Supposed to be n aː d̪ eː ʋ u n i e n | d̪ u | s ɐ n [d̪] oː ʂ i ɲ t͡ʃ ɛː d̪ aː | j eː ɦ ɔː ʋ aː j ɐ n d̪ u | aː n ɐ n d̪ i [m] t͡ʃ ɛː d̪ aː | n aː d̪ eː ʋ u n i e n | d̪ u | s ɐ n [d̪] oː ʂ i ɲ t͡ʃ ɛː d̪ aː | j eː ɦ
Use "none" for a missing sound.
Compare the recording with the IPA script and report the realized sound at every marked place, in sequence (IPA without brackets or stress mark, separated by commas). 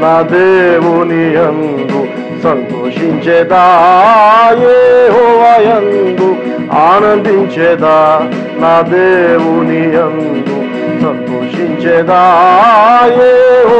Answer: t̪, ɲ, t̪